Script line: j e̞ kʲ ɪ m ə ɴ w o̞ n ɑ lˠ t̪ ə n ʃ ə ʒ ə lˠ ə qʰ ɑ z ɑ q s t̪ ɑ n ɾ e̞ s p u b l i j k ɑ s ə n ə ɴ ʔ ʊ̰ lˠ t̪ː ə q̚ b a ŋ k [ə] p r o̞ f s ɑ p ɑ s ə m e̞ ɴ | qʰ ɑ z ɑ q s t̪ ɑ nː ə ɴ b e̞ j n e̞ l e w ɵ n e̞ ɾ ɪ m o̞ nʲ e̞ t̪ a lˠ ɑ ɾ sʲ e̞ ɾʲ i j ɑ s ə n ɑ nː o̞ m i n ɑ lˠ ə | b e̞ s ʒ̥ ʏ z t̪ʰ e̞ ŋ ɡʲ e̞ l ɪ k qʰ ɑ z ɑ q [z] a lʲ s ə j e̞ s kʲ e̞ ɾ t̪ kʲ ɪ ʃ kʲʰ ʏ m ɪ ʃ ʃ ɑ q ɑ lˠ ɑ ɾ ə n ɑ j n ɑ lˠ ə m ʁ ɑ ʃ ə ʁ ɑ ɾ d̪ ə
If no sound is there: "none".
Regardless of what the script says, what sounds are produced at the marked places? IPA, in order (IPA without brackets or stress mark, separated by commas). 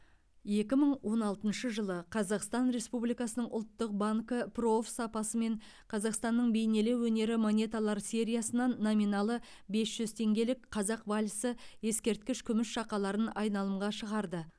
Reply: ə, v